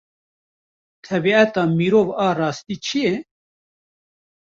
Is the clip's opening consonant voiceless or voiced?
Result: voiceless